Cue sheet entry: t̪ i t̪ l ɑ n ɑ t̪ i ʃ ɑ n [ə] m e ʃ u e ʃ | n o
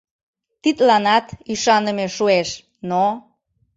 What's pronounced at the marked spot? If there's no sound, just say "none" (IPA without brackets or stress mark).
ə